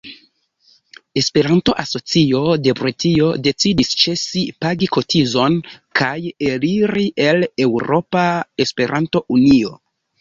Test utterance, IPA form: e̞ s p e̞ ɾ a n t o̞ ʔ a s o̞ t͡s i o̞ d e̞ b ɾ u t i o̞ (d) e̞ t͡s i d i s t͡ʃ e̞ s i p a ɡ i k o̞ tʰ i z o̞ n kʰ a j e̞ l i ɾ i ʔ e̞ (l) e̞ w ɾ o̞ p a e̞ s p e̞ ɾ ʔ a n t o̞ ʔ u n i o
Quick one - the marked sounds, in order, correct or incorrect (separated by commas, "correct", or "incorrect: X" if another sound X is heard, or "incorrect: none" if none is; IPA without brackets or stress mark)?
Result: correct, correct